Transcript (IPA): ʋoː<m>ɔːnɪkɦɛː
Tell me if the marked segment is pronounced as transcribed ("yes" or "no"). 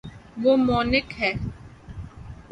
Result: yes